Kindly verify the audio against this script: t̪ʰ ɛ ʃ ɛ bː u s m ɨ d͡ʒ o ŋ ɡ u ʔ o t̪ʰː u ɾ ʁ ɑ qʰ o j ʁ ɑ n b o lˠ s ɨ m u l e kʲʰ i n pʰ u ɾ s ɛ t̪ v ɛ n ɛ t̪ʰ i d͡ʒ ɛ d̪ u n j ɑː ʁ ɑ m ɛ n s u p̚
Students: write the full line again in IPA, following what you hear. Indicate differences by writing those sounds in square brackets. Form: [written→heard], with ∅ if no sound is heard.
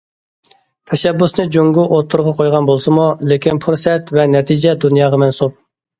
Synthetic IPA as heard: t̪ʰ ɛ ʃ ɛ bː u s [m→n] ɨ d͡ʒ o ŋ ɡ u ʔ o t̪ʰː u ɾ ʁ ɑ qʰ o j ʁ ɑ n b o lˠ s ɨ m u l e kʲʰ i n pʰ u ɾ s ɛ t̪ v ɛ n ɛ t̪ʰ i d͡ʒ ɛ d̪ u n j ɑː ʁ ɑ m ɛ n s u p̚